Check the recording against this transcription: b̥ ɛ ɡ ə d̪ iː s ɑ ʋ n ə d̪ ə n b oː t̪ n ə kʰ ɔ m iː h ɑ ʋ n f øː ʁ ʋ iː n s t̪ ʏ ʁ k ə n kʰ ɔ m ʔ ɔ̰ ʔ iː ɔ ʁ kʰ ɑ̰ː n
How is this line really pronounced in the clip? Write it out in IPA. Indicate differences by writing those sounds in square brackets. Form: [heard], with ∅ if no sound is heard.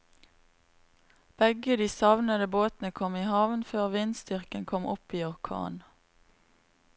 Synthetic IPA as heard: b̥ ɛ ɡ ə d̪ iː s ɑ ʋ n ə d̪ ə [∅] b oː t̪ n ə kʰ ɔ m iː h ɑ ʋ n f øː ʁ ʋ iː n s t̪ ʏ ʁ k ə n kʰ ɔ m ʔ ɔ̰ [p] iː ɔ ʁ kʰ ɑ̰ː n

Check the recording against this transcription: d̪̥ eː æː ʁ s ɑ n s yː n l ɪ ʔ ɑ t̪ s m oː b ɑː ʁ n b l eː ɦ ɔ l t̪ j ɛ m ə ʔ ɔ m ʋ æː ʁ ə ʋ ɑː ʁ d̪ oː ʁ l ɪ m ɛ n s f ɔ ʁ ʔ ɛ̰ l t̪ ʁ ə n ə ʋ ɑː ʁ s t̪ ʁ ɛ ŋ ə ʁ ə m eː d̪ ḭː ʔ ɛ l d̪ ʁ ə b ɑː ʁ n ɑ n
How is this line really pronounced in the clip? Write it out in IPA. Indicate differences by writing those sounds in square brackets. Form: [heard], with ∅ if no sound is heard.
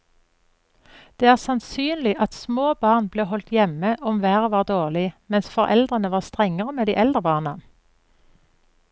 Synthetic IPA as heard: d̪̥ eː æː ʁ s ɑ n s yː n l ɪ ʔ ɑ t̪ s m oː b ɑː ʁ n b l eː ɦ ɔ l t̪ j ɛ m ə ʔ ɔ m ʋ æː ʁ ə ʋ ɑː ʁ d̪ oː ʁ l ɪ m ɛ n s f ɔ ʁ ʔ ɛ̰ l [d̪] ʁ ə n ə ʋ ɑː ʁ s t̪ ʁ ɛ ŋ ə ʁ ə m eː d̪ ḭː ʔ ɛ l d̪ ʁ ə b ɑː ʁ n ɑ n

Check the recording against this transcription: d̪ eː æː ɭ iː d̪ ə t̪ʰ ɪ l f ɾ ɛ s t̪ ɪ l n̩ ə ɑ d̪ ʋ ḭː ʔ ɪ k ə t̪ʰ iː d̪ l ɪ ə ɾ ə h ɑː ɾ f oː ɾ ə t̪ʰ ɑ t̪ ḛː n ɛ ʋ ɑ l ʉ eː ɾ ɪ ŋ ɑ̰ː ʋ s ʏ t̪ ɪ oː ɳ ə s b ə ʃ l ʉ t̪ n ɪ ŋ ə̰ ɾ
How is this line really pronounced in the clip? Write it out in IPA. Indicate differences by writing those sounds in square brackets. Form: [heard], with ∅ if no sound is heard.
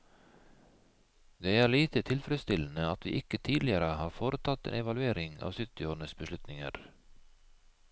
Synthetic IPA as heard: d̪ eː æː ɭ iː [t̪] ə t̪ʰ ɪ l f ɾ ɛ s t̪ ɪ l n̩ ə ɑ [t̪] ʋ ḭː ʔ ɪ k ə t̪ʰ iː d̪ l ɪ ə ɾ ə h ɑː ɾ f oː ɾ ə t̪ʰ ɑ t̪ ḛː n ɛ ʋ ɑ l ʉ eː ɾ ɪ ŋ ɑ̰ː ʋ s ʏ t̪ ɪ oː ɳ ə s b ə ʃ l ʉ t̪ n ɪ ŋ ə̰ ɾ

